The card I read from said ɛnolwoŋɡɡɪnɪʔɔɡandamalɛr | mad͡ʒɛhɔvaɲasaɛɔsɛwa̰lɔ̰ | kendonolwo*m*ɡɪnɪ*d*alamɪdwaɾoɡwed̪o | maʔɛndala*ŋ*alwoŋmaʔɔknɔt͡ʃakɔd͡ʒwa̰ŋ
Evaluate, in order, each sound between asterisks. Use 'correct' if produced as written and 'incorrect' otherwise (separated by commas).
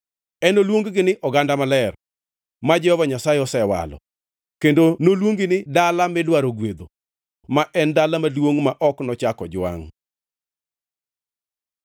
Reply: incorrect, correct, incorrect